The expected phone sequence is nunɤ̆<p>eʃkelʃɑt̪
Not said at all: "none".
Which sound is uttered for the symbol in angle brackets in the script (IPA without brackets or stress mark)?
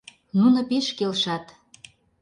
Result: p